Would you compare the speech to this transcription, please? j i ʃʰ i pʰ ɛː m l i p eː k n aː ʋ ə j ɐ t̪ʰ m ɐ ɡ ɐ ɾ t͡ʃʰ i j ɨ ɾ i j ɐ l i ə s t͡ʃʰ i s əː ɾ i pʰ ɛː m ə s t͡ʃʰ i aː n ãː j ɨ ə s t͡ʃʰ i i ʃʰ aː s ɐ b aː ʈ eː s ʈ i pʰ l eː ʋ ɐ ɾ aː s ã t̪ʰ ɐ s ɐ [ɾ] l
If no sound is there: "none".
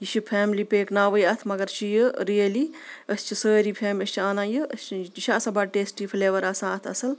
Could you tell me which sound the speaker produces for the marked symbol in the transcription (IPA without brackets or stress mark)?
none